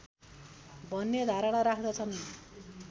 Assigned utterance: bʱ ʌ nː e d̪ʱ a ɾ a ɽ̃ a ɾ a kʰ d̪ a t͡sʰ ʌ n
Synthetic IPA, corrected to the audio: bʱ ʌ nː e d̪ʱ a ɾ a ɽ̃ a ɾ a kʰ d̪ ʌ t͡sʰ ʌ n